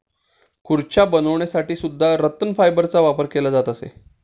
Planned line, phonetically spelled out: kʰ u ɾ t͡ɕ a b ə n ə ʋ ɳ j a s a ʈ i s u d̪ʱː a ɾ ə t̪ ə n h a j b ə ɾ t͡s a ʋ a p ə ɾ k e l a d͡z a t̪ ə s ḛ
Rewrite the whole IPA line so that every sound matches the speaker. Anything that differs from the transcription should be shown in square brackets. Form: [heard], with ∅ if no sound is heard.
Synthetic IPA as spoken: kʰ u ɾ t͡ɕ a b ə n ə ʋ ɳ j a s a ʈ [iː] s u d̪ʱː a ɾ ə t̪ ə n [f] a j b ə ɾ t͡s a ʋ a p ə ɾ k e l a d͡z a t̪ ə s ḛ